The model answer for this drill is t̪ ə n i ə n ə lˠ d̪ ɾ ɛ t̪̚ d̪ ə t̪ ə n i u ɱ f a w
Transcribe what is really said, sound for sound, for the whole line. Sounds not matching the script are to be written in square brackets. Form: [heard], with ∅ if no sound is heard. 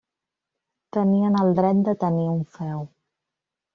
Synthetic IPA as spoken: t̪ ə n i ə n ə lˠ d̪ ɾ ɛ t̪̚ d̪ ə t̪ ə n i u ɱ f [ɛ] w